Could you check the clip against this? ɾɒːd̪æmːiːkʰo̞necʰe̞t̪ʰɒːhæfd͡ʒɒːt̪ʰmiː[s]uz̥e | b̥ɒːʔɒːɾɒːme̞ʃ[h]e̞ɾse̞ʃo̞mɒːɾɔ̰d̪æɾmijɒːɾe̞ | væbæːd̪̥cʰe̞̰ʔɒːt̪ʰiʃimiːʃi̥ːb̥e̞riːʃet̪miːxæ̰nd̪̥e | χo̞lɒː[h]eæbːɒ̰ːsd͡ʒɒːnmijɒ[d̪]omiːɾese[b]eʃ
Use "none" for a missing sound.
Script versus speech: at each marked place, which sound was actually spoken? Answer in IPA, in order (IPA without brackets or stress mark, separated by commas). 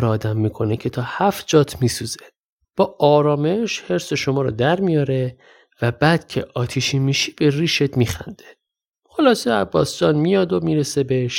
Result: s, h, s, d̪, b